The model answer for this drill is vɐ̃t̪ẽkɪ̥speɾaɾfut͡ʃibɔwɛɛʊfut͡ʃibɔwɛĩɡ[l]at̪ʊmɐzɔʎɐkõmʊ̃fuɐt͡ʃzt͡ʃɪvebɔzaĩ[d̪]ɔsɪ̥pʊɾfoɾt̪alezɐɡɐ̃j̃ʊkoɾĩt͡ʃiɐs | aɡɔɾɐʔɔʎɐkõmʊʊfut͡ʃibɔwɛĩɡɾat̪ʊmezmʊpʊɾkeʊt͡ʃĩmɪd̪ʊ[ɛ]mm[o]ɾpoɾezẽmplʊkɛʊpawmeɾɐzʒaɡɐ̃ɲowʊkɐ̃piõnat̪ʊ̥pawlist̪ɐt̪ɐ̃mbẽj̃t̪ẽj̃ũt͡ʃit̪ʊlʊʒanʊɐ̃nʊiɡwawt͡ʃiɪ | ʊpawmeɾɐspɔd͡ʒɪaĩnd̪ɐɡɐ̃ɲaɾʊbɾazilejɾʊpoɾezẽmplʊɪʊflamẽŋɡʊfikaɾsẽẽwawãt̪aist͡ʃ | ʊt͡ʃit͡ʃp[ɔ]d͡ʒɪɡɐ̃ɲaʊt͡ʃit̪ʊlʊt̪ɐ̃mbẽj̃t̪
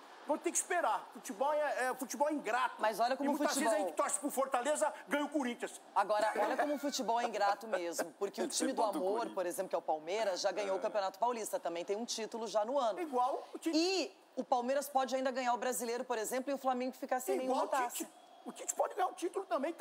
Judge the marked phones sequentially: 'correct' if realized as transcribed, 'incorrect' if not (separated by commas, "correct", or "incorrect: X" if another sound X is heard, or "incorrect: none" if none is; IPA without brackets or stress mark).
incorrect: ɾ, incorrect: t̪, incorrect: a, correct, correct